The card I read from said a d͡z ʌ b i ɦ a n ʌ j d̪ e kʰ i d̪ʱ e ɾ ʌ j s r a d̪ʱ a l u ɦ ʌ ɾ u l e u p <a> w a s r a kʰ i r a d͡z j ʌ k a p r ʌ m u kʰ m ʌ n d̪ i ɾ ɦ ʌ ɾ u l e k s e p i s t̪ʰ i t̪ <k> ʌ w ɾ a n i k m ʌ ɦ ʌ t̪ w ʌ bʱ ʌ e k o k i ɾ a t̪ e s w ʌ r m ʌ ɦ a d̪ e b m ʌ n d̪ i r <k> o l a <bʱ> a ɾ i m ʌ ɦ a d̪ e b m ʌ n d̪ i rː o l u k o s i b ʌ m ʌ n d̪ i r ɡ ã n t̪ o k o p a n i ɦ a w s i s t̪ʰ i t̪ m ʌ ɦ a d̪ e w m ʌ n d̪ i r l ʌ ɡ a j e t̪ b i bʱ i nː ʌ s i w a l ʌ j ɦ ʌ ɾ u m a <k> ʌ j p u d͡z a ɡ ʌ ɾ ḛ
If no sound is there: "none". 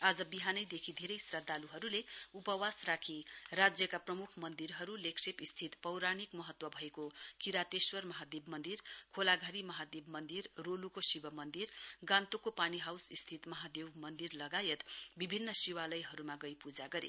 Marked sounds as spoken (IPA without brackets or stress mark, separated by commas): ʌ, p, kʰ, ɡʱ, ɡ